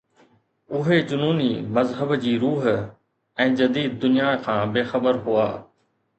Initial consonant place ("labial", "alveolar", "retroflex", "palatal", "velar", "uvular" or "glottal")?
glottal